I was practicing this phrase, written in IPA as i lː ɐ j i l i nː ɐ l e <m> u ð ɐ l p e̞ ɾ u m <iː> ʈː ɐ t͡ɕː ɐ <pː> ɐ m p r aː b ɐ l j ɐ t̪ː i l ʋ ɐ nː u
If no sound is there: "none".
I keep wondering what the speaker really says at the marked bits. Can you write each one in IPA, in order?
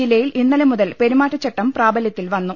m, aː, ʈː

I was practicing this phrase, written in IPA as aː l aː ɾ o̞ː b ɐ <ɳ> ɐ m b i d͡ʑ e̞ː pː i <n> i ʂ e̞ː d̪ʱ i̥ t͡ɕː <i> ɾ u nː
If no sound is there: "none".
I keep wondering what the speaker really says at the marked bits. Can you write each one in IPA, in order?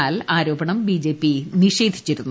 ɳ, n, i

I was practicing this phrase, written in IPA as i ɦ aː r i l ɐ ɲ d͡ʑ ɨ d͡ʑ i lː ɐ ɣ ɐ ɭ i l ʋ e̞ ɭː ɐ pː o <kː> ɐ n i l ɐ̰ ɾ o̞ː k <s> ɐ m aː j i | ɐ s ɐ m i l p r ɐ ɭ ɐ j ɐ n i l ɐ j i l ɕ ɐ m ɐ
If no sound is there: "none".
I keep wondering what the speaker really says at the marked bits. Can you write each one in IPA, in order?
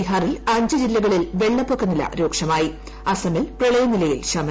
kː, ʂ

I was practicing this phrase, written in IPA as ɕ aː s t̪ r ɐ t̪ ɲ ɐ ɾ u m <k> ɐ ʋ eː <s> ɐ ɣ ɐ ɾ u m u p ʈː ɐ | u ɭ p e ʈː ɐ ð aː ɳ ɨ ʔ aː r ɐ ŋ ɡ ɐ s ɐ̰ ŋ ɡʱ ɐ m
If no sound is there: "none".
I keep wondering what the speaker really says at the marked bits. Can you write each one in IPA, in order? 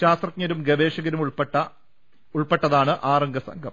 ɡ, ʂ

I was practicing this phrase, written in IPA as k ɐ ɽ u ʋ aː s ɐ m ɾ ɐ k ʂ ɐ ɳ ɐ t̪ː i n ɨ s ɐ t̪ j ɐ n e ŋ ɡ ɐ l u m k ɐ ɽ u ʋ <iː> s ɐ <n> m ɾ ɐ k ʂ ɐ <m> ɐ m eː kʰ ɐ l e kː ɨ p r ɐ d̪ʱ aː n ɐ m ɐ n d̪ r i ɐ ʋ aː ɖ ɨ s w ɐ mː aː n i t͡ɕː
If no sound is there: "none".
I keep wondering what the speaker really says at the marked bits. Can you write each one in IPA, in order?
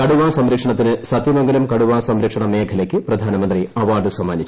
aː, none, ɳ

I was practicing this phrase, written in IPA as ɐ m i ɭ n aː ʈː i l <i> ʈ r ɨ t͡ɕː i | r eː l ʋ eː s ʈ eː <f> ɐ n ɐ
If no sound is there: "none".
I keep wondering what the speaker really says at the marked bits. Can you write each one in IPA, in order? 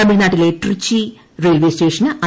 e, ʂ

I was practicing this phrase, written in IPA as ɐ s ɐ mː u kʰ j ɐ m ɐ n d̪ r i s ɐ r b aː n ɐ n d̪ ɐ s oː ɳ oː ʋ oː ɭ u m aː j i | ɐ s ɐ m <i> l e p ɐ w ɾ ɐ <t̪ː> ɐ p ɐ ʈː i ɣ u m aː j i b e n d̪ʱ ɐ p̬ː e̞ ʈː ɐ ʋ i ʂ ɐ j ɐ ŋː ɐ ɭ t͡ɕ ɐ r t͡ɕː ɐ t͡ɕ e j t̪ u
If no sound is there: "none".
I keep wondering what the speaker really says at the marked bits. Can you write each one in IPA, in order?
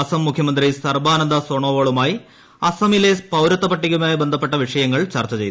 i, t̪ː

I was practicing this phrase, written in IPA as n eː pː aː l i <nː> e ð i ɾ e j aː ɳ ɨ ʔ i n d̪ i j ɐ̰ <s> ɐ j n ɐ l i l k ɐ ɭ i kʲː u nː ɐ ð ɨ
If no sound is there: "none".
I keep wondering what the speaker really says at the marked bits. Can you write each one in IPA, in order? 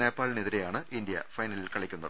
n, f

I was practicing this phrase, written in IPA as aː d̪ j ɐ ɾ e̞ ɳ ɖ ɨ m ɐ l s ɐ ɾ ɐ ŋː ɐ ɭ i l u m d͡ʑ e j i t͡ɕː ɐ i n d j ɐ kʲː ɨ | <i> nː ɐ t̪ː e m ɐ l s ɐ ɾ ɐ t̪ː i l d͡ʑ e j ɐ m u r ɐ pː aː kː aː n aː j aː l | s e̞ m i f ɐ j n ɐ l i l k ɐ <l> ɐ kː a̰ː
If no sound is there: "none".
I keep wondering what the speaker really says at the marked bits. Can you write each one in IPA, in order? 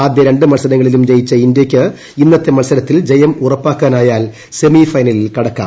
i, ɽ

